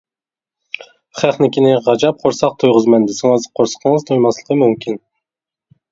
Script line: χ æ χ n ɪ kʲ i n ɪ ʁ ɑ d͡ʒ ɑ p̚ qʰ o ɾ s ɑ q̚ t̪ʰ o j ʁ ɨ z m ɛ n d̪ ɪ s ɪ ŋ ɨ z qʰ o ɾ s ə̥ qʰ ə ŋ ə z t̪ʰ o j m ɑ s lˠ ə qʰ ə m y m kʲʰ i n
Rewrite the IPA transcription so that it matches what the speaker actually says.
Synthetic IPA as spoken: χ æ χ n ɪ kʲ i n ɪ ʁ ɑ d͡ʒ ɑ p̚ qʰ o ɾ s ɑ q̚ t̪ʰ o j ʁ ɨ z m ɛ n d̪ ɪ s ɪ ŋ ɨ z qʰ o ɾ s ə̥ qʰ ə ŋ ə z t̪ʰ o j m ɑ s lˠ ə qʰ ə m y m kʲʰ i n